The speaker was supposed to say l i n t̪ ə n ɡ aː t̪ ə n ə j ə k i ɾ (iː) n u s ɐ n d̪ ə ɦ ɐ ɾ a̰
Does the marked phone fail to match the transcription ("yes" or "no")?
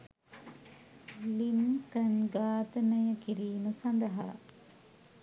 no